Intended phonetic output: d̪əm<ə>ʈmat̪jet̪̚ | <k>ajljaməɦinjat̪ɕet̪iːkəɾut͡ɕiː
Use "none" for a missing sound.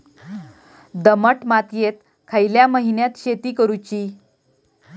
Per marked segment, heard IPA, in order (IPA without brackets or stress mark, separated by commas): ə, kʰ